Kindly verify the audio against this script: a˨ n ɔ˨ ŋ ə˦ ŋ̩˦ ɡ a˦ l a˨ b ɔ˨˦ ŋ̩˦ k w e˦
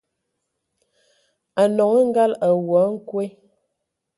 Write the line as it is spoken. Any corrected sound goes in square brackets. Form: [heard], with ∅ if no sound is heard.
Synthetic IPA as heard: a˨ n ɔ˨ ŋ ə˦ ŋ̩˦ ɡ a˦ l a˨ [w] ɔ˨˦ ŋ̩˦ k w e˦